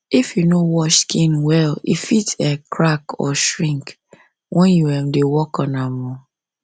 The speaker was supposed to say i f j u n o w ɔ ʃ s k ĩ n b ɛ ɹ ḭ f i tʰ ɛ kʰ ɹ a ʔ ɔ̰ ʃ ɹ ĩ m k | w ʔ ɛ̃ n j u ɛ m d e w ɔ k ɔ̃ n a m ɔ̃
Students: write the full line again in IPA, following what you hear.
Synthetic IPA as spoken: i f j u n o w ɔ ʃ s k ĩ n w ɛ l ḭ f i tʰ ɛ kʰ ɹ a k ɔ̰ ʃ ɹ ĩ ŋ k | w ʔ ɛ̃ n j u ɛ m d e w ɔ k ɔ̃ n a m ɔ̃